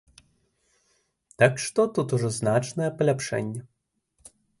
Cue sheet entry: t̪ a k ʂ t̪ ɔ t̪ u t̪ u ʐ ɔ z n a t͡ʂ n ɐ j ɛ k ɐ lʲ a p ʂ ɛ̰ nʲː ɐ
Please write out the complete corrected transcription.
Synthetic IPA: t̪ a k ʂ t̪ ɔ t̪ u t̪ u ʐ ɔ z n a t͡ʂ n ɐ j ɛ p ɐ lʲ a p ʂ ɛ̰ nʲː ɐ